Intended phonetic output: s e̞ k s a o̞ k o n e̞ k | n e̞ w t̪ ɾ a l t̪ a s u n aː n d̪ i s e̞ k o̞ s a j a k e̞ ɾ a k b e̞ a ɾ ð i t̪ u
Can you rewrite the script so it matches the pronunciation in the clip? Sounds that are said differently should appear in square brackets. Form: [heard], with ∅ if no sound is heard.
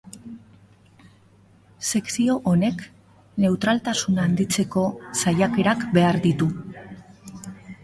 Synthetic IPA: s e̞ k s [i] o̞ [ʔ] o n e̞ k | n e̞ w t̪ ɾ a l t̪ a s u n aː n d̪ i [t͡s] e̞ k o̞ s a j a k e̞ ɾ a k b e̞ a ɾ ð i t̪ u